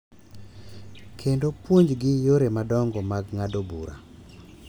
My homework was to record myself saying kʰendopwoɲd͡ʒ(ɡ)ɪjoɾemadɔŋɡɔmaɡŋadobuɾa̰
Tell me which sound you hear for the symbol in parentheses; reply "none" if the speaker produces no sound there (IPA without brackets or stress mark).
ɡ